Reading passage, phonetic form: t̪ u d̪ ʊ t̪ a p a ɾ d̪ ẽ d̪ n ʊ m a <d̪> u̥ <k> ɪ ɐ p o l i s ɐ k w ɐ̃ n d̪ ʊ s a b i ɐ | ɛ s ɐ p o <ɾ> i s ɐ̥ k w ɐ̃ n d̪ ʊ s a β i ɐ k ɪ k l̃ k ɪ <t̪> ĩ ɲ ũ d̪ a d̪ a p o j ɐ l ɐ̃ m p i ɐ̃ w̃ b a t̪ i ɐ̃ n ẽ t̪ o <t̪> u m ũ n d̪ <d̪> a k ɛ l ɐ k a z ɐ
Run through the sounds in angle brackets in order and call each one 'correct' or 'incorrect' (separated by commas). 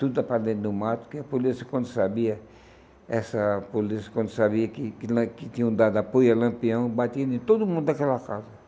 incorrect, correct, incorrect, correct, incorrect, correct